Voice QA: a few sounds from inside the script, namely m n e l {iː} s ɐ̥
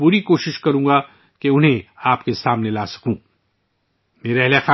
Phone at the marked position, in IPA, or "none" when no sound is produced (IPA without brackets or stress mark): aː